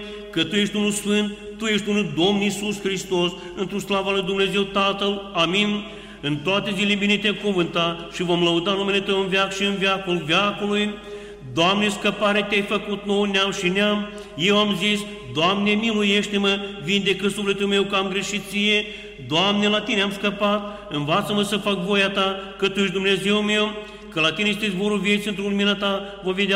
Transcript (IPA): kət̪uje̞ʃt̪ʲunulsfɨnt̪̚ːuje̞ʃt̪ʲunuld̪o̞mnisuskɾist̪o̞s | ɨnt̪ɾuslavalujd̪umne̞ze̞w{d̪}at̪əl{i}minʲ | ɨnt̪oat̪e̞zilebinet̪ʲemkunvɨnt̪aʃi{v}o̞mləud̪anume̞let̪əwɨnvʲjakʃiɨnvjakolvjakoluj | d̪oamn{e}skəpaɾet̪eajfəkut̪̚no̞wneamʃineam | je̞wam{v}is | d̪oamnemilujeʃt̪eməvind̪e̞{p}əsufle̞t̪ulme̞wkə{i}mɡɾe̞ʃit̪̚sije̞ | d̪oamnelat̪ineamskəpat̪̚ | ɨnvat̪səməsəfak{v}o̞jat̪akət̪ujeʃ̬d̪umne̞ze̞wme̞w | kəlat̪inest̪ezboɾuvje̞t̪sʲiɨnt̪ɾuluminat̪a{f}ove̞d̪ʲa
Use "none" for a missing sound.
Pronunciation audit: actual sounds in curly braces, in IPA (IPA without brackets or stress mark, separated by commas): t̪, a, v, e, z, k, a, v, v